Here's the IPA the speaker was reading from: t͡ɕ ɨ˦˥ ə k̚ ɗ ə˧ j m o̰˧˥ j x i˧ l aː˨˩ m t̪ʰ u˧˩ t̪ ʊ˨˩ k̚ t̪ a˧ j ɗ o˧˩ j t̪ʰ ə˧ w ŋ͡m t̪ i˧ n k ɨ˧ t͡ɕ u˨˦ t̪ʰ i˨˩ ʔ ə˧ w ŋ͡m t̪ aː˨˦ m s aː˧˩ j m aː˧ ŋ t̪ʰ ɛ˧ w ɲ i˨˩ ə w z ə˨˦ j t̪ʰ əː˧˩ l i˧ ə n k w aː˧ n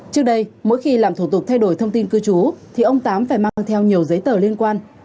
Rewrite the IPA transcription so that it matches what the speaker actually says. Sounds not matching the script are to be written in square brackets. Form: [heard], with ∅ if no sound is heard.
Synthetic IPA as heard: t͡ɕ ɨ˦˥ ə k̚ ɗ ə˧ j m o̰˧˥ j x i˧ l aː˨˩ m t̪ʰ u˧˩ t̪ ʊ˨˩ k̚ [t̪ʰ] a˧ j ɗ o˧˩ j t̪ʰ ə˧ w ŋ͡m t̪ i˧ n k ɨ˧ t͡ɕ u˨˦ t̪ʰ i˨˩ ʔ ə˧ w ŋ͡m t̪ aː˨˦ m [f] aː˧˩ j m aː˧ ŋ t̪ʰ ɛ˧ w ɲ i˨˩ ə w z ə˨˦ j [t̪] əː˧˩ l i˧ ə n k w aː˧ n